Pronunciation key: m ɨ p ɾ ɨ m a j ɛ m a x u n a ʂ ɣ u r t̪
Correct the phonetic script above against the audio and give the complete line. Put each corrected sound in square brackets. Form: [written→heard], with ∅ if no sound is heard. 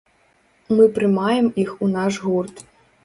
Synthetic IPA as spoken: m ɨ p ɾ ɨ m a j ɛ m [a→i] x u n a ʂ ɣ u r t̪